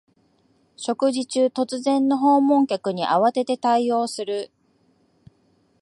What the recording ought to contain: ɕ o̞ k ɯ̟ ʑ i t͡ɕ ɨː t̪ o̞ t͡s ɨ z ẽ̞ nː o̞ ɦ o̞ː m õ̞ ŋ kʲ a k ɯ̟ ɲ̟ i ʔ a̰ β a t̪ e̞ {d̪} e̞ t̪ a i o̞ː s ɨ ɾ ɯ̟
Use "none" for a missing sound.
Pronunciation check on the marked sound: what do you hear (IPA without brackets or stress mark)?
t̪